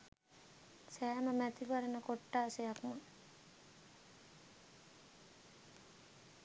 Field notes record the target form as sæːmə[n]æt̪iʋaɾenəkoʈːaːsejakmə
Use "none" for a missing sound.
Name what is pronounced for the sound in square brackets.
m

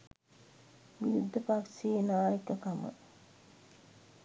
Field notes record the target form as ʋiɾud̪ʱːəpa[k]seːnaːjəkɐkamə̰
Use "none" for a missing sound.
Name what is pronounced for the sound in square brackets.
k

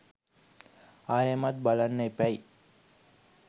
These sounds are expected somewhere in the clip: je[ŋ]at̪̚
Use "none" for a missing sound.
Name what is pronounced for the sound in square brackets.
m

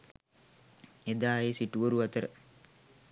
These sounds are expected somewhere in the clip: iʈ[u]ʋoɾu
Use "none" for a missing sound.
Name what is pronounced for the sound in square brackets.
u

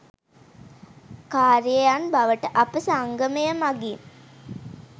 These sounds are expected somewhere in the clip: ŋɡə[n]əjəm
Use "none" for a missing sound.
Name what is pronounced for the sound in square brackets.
m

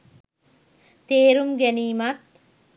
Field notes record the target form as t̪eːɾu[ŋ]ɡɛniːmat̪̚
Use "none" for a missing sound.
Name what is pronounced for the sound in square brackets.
m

